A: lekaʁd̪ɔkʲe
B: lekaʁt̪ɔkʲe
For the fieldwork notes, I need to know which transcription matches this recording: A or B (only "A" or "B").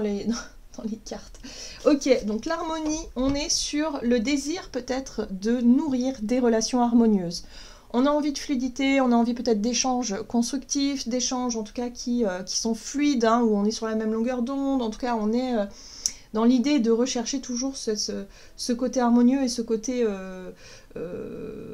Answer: B